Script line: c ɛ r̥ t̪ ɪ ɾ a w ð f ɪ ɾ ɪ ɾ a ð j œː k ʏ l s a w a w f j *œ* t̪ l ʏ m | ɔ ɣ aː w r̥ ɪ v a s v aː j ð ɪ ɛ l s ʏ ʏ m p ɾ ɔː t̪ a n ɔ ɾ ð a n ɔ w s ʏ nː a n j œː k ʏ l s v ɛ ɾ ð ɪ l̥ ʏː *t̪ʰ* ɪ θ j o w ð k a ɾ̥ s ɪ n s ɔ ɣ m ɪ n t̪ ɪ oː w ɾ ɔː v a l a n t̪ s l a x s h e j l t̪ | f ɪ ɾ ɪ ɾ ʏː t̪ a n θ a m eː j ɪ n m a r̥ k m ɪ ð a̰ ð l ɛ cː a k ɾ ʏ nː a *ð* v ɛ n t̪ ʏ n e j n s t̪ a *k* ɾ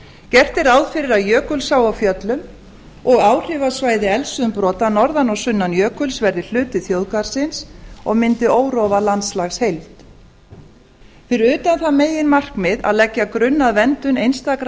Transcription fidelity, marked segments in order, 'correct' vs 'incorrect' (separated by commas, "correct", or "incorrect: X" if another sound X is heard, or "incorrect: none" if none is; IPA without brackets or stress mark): correct, incorrect: t̪, correct, correct